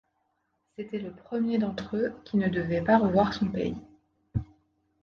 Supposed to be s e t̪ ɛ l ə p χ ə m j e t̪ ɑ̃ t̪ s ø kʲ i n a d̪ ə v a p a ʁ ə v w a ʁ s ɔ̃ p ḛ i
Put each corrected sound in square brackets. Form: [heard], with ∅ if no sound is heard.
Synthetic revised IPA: s e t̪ ɛ l ə p χ ə m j e [d̪] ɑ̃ t̪ [χ] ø kʲ i n [ə] d̪ ə v [ɛ] p a ʁ ə v w a ʁ s ɔ̃ p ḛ i